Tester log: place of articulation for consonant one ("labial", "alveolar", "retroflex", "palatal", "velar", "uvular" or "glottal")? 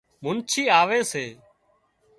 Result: labial